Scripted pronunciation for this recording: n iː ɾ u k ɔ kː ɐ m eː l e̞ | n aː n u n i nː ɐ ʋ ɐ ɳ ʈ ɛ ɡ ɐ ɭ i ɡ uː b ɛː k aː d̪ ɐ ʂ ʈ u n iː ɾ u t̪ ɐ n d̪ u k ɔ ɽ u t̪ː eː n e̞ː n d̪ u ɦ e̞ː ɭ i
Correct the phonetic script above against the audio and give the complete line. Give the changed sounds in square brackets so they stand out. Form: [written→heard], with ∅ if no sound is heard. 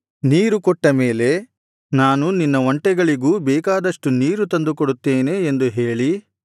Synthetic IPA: n iː ɾ u k ɔ [kː→ʈː] ɐ m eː l e̞ | n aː n u n i nː ɐ ʋ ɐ ɳ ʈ ɛ ɡ ɐ ɭ i ɡ uː b ɛː k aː d̪ ɐ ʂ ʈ u n iː ɾ u t̪ ɐ n d̪ u k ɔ ɽ u t̪ː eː n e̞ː n d̪ u ɦ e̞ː ɭ i